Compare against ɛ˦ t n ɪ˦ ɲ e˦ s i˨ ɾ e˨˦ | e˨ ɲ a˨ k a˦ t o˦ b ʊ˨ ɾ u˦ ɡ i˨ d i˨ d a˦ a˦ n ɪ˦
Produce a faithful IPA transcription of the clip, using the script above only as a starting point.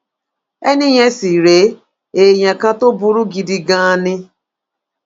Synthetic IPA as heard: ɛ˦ n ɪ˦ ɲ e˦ s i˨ ɾ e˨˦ | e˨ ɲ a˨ k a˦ t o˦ b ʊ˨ ɾ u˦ ɡ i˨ d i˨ ɡ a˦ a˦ n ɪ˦